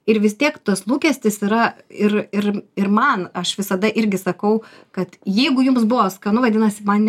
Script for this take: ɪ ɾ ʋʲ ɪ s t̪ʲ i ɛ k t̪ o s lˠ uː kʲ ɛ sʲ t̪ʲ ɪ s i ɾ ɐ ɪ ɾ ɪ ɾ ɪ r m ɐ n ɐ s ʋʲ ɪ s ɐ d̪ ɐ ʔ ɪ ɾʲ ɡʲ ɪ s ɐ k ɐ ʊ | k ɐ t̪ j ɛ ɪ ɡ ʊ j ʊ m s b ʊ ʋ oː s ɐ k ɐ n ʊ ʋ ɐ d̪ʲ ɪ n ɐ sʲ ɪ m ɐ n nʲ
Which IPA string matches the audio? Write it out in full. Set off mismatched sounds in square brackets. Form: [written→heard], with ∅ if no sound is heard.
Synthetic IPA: ɪ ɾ ʋʲ ɪ s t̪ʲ i ɛ k t̪ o s lˠ uː kʲ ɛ sʲ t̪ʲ ɪ s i ɾ ɐ ɪ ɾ ɪ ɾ ɪ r m ɐ n ɐ [s→ʃ] ʋʲ ɪ s ɐ d̪ ɐ ʔ ɪ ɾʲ ɡʲ ɪ s ɐ k ɐ ʊ | k ɐ t̪ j ɛ ɪ ɡ ʊ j ʊ m s b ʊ ʋ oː s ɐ k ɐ n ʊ ʋ ɐ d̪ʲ ɪ n ɐ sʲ ɪ m ɐ n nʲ

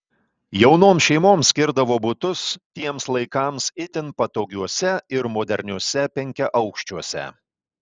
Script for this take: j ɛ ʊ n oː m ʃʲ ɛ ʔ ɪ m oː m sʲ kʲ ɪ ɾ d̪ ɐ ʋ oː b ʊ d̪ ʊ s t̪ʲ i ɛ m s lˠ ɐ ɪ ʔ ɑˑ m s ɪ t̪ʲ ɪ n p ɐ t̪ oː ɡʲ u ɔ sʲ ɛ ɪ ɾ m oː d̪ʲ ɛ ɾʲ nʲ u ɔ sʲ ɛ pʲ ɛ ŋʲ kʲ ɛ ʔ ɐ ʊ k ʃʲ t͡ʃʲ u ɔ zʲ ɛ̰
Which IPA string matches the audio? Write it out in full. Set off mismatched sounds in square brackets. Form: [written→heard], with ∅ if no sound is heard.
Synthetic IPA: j ɛ ʊ n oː m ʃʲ ɛ [ʔ→∅] ɪ m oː m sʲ kʲ ɪ ɾ d̪ ɐ ʋ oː b ʊ [d̪→t̪] ʊ s t̪ʲ i ɛ m s lˠ ɐ ɪ [ʔ→k] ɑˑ m s ɪ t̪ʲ ɪ n p ɐ t̪ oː ɡʲ u ɔ sʲ ɛ ɪ ɾ m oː d̪ʲ ɛ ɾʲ nʲ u ɔ sʲ ɛ pʲ ɛ ŋʲ kʲ ɛ ʔ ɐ ʊ k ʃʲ t͡ʃʲ u ɔ [zʲ→sʲ] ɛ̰

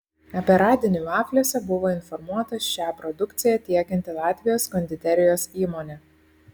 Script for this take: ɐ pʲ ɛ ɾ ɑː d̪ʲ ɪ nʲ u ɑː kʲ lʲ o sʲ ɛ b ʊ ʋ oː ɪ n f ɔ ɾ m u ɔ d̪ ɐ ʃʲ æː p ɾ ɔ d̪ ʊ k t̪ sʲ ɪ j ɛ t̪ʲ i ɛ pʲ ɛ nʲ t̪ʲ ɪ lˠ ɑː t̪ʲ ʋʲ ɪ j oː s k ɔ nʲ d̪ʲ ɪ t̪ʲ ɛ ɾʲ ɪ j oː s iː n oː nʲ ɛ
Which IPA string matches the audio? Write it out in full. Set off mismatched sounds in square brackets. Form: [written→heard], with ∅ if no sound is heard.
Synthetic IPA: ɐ pʲ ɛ ɾ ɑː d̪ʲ ɪ nʲ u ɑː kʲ lʲ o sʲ ɛ b ʊ ʋ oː ɪ n f ɔ ɾ m u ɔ [d̪→t̪] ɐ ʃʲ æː p ɾ ɔ d̪ ʊ k t̪ sʲ ɪ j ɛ t̪ʲ i ɛ [pʲ→kʲ] ɛ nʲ t̪ʲ ɪ lˠ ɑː t̪ʲ ʋʲ ɪ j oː s k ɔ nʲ d̪ʲ ɪ t̪ʲ ɛ ɾʲ ɪ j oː s iː [n→m] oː nʲ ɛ

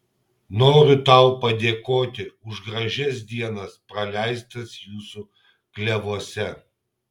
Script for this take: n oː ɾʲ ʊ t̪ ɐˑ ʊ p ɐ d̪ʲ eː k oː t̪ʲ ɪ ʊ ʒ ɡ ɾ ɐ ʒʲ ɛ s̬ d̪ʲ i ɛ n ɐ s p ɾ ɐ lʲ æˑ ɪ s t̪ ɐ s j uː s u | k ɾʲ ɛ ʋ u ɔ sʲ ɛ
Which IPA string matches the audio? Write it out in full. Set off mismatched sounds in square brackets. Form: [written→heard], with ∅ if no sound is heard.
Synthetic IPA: n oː ɾʲ ʊ t̪ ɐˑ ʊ p ɐ d̪ʲ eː k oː t̪ʲ ɪ ʊ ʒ ɡ ɾ ɐ ʒʲ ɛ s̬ d̪ʲ i ɛ n ɐ s p ɾ ɐ lʲ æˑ ɪ s t̪ ɐ s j uː s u | k [ɾʲ→lʲ] ɛ ʋ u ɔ sʲ ɛ

